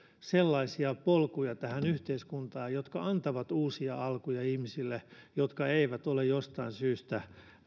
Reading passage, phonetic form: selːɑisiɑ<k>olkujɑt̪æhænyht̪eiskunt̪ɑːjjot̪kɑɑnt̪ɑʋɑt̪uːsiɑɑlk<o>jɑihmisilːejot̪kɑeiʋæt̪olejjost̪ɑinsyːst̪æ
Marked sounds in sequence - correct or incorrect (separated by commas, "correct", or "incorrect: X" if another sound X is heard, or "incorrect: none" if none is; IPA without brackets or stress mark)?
incorrect: p, incorrect: u